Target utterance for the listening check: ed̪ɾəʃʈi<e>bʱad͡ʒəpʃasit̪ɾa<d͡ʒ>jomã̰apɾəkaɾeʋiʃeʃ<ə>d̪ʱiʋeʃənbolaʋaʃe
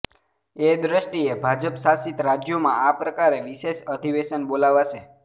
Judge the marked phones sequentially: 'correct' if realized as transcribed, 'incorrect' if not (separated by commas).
correct, correct, correct